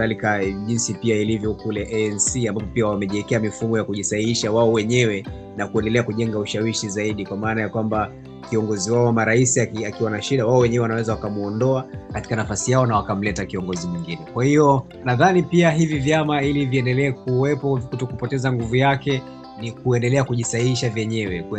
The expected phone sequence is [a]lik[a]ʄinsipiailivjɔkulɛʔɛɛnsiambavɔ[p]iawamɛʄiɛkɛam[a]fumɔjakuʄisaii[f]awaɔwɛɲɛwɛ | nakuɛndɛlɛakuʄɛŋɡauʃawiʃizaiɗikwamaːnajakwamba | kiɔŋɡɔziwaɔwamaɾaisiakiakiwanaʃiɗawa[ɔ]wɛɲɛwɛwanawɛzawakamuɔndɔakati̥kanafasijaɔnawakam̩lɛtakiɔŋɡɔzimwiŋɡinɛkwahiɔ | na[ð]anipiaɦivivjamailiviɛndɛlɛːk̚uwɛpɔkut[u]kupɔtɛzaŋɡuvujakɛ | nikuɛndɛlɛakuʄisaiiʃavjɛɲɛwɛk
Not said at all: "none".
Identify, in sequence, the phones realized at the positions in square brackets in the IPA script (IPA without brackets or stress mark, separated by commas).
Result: a, a, p, i, ʃ, ɔ, ð, ɔ